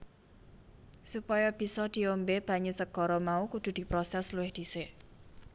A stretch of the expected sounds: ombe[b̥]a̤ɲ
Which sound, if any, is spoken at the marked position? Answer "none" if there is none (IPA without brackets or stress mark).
b̥